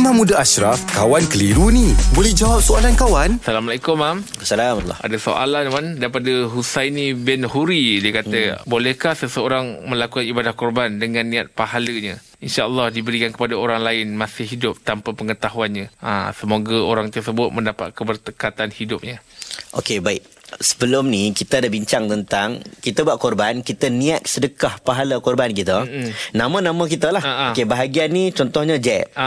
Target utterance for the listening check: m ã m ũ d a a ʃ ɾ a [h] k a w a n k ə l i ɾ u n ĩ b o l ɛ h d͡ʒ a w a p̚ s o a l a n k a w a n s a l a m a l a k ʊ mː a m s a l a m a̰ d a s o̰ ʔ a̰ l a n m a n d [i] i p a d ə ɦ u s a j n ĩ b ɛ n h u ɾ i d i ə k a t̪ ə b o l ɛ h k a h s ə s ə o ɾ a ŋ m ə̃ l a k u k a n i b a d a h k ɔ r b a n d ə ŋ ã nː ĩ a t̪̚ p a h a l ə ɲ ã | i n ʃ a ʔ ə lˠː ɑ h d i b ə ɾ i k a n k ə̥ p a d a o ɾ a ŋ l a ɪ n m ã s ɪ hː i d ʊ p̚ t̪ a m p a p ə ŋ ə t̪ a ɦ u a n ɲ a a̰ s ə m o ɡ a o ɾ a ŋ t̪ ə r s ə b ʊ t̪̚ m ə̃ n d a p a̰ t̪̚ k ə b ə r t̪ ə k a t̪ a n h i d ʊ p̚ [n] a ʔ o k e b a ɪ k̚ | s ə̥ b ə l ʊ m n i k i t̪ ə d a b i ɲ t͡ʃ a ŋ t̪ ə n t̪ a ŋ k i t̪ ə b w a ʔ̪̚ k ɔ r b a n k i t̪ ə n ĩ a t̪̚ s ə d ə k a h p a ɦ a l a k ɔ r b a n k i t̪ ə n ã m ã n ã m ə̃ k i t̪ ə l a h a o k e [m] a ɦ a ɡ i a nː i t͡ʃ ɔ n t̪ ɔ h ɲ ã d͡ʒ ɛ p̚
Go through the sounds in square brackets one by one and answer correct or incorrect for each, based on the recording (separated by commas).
incorrect, incorrect, incorrect, incorrect